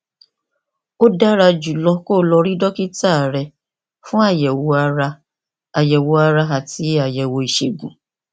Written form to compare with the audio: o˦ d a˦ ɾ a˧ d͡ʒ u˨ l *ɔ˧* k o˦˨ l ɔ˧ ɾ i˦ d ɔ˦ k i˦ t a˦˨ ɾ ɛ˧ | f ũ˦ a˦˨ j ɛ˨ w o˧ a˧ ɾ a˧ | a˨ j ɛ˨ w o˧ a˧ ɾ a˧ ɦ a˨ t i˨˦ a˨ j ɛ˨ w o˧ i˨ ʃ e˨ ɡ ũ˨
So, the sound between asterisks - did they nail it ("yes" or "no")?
yes